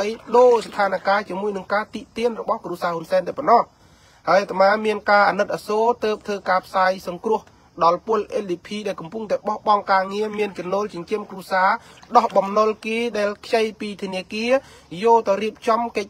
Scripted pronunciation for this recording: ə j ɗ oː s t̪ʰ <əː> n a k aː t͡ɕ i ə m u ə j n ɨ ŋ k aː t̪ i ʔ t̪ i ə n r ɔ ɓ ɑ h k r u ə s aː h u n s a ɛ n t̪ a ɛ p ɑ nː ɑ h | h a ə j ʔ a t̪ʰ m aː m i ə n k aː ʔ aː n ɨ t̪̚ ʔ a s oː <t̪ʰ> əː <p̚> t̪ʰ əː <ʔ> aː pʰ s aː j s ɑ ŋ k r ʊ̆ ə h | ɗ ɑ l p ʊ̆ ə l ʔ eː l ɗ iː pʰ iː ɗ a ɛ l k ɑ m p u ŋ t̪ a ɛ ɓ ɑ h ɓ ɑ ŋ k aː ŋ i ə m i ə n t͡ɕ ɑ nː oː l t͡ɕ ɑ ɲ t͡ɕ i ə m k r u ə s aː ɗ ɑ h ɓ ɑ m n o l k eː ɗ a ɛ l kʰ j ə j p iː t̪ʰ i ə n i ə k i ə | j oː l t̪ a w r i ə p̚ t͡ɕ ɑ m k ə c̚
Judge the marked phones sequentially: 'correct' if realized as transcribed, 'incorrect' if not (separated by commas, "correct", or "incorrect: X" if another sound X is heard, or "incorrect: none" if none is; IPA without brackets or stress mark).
incorrect: aː, incorrect: t̪, correct, incorrect: k